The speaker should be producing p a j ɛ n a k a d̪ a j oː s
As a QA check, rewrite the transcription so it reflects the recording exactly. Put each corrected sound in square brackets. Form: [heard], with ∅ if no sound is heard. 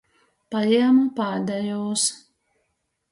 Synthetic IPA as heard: p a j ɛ [m] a [p] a d̪ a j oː s